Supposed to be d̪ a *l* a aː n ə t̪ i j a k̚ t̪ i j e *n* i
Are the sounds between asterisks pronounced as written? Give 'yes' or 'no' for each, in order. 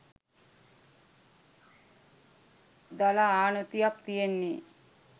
yes, no

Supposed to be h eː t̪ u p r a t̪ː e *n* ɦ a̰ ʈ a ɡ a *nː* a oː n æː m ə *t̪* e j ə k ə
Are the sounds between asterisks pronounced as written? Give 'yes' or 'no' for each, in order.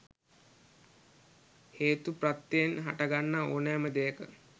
yes, yes, no

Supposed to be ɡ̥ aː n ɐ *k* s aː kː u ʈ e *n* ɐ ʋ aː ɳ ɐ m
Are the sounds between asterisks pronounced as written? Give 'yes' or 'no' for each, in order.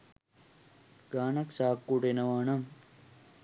yes, yes

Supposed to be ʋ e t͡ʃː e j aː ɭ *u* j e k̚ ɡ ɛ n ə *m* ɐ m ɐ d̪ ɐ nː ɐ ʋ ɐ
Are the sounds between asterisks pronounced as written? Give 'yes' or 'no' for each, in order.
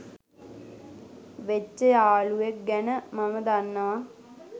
yes, yes

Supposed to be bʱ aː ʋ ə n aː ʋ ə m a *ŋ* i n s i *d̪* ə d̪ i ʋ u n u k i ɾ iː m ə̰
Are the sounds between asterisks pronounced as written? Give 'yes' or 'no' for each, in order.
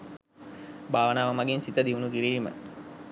no, no

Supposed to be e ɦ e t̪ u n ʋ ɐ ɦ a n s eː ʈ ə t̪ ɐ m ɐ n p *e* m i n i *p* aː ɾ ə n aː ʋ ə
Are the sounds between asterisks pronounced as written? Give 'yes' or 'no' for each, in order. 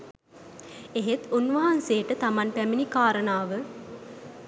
no, no

